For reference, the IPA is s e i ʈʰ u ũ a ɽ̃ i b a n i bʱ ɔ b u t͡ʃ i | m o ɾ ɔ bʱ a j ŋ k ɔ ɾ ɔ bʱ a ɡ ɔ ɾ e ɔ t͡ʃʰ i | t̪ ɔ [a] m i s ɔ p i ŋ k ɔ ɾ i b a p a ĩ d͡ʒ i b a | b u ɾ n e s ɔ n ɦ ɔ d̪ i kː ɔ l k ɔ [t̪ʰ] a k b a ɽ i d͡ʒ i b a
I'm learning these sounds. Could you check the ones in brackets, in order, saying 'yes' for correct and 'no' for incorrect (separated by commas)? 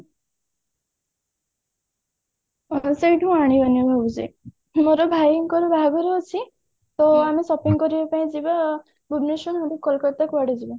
yes, no